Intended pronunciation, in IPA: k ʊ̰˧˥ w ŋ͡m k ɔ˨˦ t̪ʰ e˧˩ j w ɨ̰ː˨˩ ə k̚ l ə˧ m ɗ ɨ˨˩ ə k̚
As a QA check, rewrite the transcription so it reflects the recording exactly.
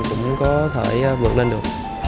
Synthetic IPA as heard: k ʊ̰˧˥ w ŋ͡m k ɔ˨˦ t̪ʰ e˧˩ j v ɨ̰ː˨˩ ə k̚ l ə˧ n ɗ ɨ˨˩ ə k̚